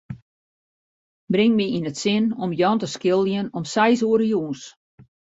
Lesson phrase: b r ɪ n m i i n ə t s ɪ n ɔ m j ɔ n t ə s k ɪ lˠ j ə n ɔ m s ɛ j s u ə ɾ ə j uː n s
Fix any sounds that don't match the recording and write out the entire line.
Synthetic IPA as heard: b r ɪ ŋ m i i n ə t s ɪ n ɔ m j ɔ n t ə s k ɪ lˠ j ə n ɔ m s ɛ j s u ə ɾ ə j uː n s